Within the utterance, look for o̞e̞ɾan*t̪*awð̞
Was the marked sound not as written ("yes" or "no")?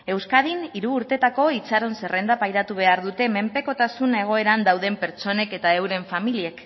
yes